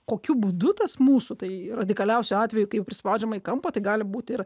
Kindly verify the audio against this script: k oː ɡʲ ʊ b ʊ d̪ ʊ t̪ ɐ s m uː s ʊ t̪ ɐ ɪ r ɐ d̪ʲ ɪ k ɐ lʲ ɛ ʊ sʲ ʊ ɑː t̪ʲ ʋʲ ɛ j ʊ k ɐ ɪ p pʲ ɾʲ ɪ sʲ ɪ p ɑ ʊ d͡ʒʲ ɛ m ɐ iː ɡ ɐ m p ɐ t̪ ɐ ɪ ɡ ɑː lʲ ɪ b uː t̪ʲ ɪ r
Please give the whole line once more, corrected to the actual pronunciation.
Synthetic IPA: k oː kʲ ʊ b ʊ d̪ ʊ t̪ ɐ s m uː s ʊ t̪ ɐ ɪ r ɐ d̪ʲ ɪ k ɐ lʲ ɛ ʊ sʲ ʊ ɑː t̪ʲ ʋʲ ɛ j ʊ k ɐ ɪ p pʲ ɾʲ ɪ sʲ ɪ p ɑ ʊ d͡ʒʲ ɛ m ɐ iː k ɐ m p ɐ t̪ ɐ ɪ ɡ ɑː lʲ ɪ b uː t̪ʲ ɪ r